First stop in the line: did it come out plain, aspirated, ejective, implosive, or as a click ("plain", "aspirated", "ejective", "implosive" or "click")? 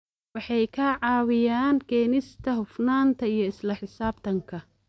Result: aspirated